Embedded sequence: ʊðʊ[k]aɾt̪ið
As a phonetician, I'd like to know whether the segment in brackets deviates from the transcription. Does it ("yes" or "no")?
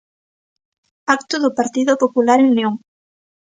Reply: yes